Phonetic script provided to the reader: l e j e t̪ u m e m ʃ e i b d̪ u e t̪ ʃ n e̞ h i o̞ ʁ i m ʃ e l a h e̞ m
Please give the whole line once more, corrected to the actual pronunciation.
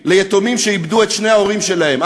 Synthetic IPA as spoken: l e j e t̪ o m i m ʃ e i b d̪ u e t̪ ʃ n e̞ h a o̞ ʁ i m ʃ e l a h e̞ m